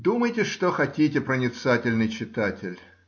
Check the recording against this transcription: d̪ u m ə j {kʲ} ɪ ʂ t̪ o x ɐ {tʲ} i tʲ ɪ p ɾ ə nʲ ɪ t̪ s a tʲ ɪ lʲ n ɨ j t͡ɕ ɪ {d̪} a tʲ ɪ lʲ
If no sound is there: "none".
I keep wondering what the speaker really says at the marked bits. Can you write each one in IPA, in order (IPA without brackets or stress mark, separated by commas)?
tʲ, tʲ, t̪